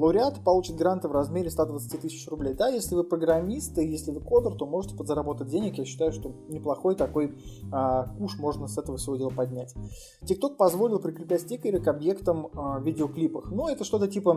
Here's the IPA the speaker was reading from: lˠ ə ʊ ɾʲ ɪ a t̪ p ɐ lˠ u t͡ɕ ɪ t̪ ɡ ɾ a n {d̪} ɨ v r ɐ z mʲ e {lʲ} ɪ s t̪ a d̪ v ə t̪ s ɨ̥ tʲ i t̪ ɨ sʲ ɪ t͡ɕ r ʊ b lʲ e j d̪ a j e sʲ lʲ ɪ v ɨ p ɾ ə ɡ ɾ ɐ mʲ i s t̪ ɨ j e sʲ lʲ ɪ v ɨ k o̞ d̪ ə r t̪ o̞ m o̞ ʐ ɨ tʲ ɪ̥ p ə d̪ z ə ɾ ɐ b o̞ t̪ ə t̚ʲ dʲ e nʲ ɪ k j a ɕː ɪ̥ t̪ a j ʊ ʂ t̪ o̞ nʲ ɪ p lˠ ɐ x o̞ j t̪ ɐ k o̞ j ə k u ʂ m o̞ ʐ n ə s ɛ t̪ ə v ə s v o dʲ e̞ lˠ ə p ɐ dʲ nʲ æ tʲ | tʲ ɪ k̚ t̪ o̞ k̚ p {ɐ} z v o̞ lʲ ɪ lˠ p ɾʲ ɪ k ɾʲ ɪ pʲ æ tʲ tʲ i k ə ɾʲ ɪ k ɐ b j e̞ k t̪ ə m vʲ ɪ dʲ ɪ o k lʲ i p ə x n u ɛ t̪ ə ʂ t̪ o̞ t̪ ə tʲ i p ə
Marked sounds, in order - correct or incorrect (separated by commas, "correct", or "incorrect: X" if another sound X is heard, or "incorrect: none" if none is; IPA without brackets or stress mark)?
incorrect: t̪, incorrect: ɾʲ, correct